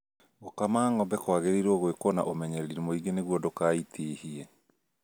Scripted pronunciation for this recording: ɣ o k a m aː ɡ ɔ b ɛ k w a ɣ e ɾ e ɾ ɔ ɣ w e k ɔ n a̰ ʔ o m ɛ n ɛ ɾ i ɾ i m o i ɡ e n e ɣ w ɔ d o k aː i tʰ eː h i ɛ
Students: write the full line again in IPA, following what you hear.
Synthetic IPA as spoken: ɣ o k a m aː ŋ ɔ b ɛ k w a ɣ e ɾ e ɾ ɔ ɣ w e k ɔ n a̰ ʔ o m ɛ ɲ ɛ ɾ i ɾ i m o i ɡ e n e ɣ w ɔ d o k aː i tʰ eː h i ɛ